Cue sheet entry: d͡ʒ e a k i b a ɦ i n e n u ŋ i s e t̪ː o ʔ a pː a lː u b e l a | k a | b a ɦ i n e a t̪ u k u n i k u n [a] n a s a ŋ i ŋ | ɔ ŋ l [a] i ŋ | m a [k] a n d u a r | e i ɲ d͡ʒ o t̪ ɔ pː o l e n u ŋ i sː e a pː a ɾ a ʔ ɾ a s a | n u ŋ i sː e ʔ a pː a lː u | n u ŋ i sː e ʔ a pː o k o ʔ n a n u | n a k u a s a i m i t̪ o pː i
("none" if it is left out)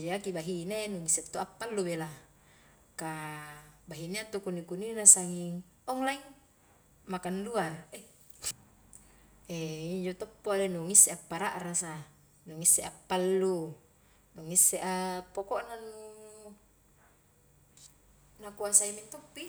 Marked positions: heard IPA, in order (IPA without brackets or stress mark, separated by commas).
i, a, k